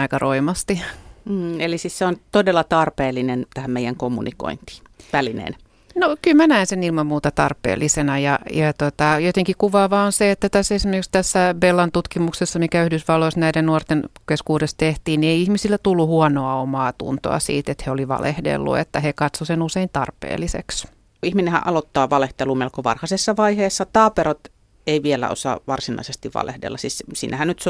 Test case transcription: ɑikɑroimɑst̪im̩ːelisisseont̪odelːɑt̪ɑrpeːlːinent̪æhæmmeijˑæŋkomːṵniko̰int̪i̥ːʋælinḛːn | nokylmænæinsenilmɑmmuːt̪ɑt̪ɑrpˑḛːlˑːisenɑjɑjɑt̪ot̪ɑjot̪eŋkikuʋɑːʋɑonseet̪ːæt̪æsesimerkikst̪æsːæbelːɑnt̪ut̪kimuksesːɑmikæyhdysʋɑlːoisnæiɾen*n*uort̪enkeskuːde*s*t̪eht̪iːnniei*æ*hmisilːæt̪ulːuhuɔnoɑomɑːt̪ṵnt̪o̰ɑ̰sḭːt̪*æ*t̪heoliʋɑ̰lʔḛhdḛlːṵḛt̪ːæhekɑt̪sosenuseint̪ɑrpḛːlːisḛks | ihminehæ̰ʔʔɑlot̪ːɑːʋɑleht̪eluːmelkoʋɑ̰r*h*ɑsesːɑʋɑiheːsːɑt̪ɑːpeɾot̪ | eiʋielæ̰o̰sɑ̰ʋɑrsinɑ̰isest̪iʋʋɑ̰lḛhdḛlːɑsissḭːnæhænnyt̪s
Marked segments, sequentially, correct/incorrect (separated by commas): correct, correct, incorrect, incorrect, correct